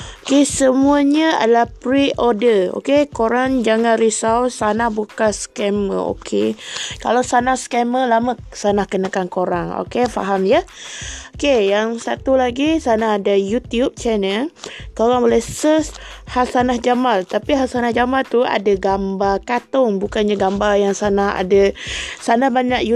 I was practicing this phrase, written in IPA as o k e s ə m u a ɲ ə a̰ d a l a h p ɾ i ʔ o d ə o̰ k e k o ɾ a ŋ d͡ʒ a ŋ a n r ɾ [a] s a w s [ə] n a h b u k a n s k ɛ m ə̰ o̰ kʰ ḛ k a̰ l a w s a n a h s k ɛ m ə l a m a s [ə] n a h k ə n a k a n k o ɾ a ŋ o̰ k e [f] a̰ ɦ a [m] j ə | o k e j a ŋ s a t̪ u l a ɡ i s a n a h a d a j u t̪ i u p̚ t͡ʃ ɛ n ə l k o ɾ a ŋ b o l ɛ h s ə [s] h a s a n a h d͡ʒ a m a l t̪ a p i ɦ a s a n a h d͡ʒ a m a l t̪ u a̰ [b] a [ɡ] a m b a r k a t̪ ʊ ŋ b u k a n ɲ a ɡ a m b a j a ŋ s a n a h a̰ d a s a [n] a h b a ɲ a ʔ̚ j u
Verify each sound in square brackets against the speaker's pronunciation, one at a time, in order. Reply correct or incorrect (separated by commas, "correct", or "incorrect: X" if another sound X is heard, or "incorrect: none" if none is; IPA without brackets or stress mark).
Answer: incorrect: i, incorrect: a, incorrect: a, correct, correct, correct, incorrect: d, correct, correct